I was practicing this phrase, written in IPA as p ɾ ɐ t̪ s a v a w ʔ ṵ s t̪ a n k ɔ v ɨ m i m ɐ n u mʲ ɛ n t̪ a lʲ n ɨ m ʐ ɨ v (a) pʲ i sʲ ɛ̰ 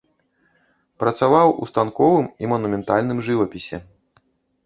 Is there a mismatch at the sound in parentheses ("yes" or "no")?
yes